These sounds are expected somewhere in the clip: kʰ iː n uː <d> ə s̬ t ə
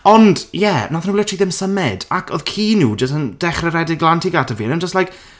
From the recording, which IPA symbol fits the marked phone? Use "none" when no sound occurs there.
d͡ʒ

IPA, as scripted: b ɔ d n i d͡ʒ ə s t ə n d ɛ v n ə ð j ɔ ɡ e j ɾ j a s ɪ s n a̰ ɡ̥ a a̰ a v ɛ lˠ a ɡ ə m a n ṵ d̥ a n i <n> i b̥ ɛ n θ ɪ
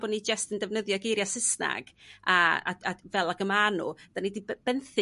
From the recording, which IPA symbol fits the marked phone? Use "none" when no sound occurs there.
d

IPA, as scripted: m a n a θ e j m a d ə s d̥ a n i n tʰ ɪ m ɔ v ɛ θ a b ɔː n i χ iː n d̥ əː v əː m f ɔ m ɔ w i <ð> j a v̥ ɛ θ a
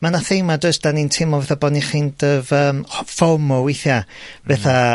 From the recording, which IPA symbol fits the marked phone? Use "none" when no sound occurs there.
θ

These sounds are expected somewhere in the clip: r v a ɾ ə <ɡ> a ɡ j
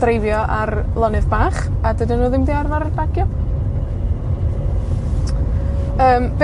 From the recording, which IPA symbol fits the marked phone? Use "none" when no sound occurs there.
b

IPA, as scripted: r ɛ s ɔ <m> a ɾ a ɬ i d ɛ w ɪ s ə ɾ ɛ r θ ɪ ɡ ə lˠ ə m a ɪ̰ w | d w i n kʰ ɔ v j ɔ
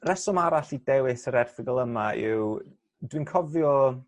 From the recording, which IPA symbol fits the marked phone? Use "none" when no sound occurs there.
m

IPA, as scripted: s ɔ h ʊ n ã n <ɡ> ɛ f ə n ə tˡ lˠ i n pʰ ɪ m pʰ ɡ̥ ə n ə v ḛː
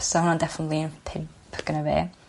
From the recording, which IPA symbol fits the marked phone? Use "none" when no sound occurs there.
d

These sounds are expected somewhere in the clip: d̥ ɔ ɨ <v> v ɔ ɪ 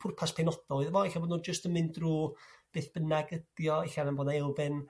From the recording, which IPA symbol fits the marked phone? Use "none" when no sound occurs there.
ð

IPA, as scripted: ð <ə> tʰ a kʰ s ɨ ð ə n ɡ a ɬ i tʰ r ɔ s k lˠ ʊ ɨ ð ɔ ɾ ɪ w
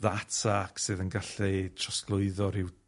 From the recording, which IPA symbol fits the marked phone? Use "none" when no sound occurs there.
a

